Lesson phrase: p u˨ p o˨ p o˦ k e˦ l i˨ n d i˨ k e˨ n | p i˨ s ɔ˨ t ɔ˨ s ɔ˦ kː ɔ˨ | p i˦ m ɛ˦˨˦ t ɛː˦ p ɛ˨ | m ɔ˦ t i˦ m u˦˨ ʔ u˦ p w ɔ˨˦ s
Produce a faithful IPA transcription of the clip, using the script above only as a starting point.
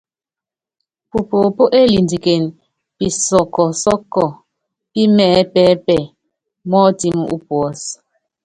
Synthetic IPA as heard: p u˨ p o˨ p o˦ ʔ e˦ l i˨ n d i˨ k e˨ n | p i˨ s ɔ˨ k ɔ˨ s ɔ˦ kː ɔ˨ | p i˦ m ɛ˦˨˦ p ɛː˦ p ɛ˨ | m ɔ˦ t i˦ m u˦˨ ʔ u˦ p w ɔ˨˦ s